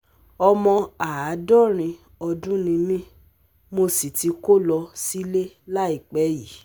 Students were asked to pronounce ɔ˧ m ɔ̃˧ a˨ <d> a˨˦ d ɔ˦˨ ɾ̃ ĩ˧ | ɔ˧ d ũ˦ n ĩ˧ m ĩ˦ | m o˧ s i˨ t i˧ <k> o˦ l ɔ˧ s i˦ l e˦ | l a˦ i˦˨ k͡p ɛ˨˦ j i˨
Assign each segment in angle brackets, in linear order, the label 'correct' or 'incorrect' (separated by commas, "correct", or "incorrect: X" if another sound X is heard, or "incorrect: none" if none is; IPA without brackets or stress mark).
incorrect: none, correct